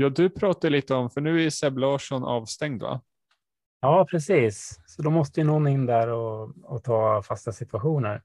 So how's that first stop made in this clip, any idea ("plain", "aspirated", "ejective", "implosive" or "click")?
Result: plain